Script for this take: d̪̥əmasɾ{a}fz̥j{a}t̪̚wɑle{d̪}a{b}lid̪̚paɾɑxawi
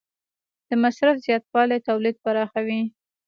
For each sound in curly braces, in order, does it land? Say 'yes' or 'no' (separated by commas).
yes, no, no, no